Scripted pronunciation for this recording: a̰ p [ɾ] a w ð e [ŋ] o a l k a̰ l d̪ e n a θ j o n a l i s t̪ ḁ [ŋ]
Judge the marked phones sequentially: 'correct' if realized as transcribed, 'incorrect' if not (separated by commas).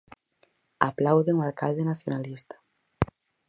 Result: incorrect, correct, incorrect